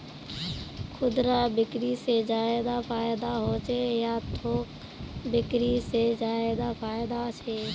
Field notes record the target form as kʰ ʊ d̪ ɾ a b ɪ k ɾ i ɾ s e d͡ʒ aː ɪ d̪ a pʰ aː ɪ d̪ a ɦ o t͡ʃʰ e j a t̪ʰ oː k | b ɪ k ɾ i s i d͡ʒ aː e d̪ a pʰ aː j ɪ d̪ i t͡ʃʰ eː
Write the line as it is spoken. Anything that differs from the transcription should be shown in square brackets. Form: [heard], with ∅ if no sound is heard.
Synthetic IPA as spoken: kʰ ʊ d̪ ɾ a b ɪ k ɾ i [∅] s e d͡ʒ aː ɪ d̪ a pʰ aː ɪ d̪ a ɦ o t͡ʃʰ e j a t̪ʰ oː k | b ɪ k ɾ i s [e] d͡ʒ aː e d̪ a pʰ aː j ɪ d̪ [a] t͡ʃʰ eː